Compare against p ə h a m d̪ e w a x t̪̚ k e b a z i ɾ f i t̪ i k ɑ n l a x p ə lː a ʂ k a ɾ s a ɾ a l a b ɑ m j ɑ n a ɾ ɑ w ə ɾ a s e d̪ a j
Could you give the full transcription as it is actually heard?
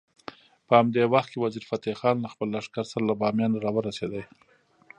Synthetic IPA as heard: p ə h a m d̪ e w a x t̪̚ k e w a z i ɾ f a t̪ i x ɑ n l a x p ə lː a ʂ k a ɾ s a ɾ a l a b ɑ m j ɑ n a ɾ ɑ w ə ɾ a s e d̪ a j